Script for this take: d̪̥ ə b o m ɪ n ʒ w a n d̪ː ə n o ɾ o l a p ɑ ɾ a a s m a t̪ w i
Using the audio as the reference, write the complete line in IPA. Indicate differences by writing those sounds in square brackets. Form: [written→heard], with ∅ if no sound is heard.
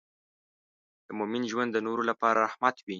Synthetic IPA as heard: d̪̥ ə [b→m] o m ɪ n ʒ w a n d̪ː ə n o ɾ o l a p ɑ ɾ a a [s→h] m a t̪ w i